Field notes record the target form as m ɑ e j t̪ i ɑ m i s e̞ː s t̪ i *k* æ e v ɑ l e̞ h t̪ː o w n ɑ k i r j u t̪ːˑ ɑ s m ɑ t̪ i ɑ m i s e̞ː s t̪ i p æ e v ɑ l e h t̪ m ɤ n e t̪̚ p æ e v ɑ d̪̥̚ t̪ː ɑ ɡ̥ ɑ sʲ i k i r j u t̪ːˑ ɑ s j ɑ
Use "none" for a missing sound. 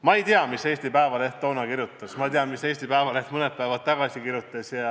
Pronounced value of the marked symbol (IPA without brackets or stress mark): p